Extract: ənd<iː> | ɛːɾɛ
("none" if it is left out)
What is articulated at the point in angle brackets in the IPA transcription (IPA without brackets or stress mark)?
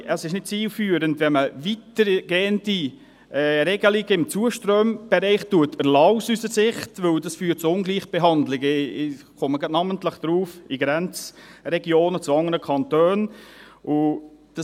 i